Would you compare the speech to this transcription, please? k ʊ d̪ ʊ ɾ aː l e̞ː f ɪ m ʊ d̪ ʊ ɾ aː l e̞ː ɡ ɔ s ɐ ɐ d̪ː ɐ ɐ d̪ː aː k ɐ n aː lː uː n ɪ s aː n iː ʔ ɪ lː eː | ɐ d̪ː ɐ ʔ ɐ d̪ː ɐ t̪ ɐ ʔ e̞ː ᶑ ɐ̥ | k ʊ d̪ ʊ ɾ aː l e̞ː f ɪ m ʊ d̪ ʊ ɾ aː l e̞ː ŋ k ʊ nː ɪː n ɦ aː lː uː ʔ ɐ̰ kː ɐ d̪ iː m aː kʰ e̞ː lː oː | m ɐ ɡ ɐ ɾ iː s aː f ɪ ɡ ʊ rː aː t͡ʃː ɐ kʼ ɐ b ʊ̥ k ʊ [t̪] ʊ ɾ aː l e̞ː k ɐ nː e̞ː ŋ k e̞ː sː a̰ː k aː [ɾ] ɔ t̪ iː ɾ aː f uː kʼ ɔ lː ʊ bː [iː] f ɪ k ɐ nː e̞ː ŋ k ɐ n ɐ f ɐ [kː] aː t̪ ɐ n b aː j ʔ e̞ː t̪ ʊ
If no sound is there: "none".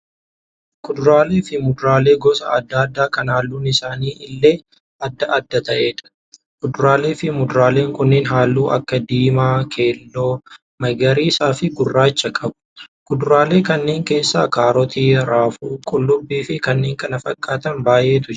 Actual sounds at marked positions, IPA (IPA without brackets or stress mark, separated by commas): d̪, ɾ, iː, kʼː